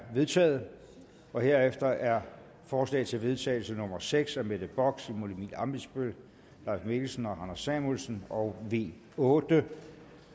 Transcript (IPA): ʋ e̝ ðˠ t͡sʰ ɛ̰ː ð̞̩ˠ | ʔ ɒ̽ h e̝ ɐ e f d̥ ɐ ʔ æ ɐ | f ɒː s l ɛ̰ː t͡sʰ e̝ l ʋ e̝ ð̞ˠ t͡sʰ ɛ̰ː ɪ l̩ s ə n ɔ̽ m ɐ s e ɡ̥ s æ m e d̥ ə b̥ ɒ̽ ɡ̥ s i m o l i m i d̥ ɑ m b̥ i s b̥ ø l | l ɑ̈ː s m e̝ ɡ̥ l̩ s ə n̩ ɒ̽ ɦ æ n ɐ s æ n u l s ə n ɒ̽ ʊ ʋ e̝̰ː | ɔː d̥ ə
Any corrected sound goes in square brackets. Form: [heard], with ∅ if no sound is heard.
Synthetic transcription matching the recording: ʋ e̝ ðˠ t͡sʰ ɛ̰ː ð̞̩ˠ | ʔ ɒ̽ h e̝ ɐ e f d̥ ɐ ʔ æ ɐ | f ɒː s l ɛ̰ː t͡sʰ e̝ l ʋ e̝ ð̞ˠ t͡sʰ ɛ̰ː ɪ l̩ s ə n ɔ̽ m ɐ s e ɡ̥ s æ m e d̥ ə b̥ ɒ̽ ɡ̥ s i m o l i m i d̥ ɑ m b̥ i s b̥ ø l | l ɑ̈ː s m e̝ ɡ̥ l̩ s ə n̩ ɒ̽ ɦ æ n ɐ s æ [m] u l s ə n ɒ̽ ʊ ʋ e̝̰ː | ɔː d̥ ə